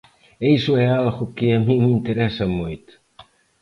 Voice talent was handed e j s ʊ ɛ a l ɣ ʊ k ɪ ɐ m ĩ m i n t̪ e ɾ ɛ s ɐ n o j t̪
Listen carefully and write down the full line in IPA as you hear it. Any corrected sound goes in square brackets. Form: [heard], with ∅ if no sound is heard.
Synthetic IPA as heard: e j s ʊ ɛ a l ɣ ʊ k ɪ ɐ m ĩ m i n t̪ e ɾ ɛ s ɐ [m] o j t̪